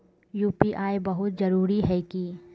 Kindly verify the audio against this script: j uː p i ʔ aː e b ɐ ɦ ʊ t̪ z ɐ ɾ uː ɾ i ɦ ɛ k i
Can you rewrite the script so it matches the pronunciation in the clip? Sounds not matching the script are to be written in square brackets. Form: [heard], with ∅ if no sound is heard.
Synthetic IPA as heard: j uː p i ʔ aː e b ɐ ɦ ʊ t̪ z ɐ ɾ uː ɾ i ɦ ɛ k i